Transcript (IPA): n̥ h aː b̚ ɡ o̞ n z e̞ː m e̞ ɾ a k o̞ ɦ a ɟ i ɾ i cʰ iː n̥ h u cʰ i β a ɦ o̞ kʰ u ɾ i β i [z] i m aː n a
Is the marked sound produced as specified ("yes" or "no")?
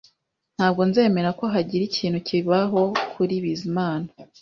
yes